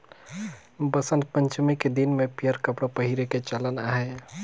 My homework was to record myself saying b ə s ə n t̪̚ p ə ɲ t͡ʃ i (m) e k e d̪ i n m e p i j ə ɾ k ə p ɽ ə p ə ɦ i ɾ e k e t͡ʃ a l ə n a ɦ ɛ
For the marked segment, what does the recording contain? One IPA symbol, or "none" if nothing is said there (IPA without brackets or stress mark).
m